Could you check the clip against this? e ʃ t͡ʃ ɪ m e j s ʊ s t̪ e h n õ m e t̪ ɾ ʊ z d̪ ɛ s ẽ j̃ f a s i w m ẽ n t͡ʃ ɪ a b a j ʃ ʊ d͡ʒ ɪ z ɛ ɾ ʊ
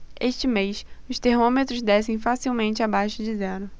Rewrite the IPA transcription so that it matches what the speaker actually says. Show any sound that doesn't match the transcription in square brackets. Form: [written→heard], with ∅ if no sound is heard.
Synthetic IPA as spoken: e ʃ t͡ʃ ɪ m e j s ʊ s t̪ e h [n→m] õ m e t̪ ɾ ʊ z d̪ ɛ s ẽ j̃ f a s i w m ẽ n t͡ʃ ɪ a b a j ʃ ʊ d͡ʒ ɪ z ɛ ɾ ʊ